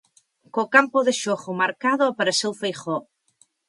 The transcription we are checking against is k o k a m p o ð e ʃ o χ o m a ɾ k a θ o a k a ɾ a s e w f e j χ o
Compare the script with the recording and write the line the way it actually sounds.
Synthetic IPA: k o k a m p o ð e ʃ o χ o m a ɾ k a ð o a p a ɾ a s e w f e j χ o